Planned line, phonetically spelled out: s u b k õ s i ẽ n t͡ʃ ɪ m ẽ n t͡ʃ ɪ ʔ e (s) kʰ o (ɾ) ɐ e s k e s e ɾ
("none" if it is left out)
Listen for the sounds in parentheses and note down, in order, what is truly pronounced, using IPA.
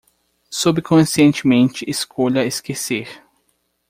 s, ʎ

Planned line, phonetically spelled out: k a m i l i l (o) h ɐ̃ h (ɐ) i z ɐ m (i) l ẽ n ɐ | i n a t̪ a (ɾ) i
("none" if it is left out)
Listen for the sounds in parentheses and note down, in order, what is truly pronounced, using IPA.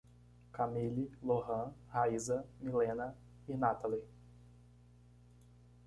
o, a, i, l

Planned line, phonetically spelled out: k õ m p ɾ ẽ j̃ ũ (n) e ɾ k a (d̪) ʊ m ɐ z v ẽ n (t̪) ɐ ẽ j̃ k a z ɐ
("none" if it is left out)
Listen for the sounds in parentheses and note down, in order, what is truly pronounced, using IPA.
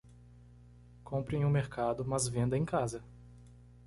m, d̪, d̪

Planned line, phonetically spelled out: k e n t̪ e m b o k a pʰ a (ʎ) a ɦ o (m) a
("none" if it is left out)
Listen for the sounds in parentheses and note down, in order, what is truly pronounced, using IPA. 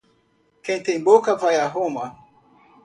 j, m

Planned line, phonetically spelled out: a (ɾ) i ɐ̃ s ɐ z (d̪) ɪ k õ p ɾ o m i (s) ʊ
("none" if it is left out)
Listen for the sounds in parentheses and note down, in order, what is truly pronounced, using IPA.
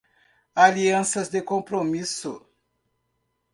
l, d̪, s

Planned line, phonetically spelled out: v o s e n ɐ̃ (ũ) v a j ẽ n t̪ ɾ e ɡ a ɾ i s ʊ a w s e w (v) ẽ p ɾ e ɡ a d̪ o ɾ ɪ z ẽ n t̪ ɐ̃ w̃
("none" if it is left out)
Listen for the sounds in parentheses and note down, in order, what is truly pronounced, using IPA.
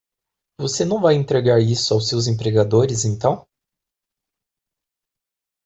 w̃, z

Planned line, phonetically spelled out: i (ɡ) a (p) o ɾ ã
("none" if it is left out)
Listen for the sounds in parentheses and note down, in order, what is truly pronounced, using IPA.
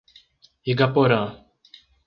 ɡ, p

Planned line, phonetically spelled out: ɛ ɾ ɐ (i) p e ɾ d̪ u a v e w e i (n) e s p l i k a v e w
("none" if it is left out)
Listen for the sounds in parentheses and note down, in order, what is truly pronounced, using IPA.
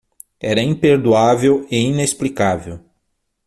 ĩ, n

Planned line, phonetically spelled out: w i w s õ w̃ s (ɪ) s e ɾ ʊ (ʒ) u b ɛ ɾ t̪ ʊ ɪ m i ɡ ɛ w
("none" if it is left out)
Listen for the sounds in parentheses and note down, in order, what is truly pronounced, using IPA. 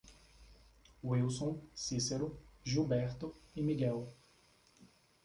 i, ʒ

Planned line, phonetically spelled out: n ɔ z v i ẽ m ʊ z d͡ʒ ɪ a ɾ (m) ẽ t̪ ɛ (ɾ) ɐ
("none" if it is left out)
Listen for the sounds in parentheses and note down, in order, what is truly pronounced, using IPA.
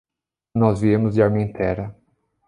m, ɾ

